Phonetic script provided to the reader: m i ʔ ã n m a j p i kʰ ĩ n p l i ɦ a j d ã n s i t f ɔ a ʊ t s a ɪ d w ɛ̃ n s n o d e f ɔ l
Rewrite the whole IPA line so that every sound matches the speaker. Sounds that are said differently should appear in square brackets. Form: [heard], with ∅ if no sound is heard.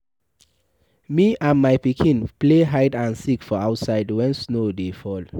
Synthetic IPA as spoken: m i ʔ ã n m a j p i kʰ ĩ n p l [e] ɦ a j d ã n s i [k] f ɔ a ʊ t s a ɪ d w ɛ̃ n s n o d e f ɔ l

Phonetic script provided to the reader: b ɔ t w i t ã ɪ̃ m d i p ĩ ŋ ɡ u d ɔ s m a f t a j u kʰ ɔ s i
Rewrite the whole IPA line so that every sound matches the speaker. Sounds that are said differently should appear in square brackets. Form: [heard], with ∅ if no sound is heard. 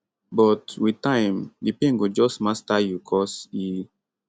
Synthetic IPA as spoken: b ɔ t w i t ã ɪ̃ m d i p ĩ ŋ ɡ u [d͡ʒ] ɔ s m a [s] t a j u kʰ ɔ s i

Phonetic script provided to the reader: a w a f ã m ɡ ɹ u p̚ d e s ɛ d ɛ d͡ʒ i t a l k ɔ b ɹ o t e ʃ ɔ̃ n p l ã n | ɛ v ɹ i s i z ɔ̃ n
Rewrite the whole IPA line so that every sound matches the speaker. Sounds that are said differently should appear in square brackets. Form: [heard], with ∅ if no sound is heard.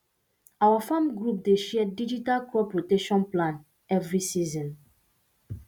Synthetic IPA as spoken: a w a f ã m ɡ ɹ u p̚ d e [ʃ] ɛ d [i] d͡ʒ i t a l k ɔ [p] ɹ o t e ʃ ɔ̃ n p l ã n | ɛ v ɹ i s i z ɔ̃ n

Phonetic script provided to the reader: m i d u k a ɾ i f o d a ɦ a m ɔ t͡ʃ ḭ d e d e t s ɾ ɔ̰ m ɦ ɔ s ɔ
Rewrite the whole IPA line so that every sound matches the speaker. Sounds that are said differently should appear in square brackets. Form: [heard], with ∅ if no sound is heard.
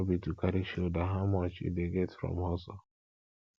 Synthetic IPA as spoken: [b] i [t] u k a ɾ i [ʃ] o d a ɦ a m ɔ t͡ʃ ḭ d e [ɡ] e t [f] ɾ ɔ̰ m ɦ ɔ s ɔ

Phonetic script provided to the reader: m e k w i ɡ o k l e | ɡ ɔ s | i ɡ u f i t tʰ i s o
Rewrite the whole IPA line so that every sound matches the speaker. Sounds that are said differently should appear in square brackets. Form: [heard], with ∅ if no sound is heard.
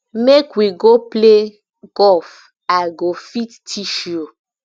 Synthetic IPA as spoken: m e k w i ɡ o [p] l e | ɡ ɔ [f] | [a] ɡ [o] f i t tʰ i [ʃ] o

